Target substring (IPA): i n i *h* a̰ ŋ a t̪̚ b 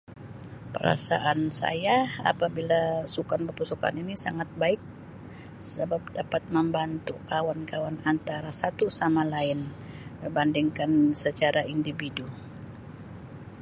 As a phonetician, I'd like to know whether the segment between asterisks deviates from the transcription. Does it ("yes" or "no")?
yes